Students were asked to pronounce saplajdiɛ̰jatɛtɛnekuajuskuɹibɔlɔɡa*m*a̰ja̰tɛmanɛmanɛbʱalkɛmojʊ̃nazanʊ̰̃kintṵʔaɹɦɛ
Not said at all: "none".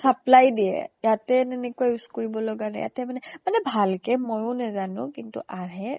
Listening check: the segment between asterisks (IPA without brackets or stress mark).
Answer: n